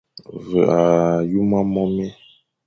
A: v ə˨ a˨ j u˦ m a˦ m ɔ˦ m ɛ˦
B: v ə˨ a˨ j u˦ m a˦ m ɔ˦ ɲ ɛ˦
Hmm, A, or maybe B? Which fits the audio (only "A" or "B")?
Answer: A